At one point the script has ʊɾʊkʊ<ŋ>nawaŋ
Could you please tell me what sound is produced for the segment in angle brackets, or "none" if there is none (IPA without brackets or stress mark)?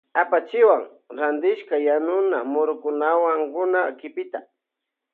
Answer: none